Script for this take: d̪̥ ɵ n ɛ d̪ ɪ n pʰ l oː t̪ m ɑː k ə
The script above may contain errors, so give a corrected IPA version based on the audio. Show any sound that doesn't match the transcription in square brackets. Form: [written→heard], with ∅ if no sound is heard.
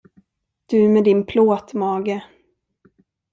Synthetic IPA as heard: d̪̥ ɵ [n→m] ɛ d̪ ɪ n pʰ l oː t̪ m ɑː [k→ɡ] ə